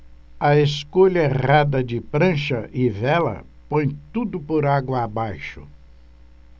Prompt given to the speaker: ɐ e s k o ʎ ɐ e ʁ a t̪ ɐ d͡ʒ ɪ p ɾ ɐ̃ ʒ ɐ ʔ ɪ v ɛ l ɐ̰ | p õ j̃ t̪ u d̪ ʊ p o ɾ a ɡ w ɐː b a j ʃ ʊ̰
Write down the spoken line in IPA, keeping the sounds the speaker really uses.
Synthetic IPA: ɐ e s k o ʎ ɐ e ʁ a d̪ ɐ d͡ʒ ɪ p ɾ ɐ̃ ʃ ɐ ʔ ɪ v ɛ l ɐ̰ | p õ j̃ t̪ u d̪ ʊ p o ɾ a ɡ w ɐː b a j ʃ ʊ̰